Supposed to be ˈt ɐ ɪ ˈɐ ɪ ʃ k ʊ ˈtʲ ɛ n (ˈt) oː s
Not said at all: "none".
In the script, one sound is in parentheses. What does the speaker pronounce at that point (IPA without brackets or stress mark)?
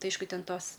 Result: t